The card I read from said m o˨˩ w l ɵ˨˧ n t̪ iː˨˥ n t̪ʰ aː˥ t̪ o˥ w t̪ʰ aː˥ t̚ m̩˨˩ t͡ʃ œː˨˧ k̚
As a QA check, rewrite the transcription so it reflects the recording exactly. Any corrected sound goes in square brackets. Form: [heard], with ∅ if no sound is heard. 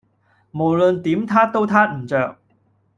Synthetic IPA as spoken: m o˨˩ w l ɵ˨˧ n t̪ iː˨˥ [m] t̪ʰ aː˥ t̪ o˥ w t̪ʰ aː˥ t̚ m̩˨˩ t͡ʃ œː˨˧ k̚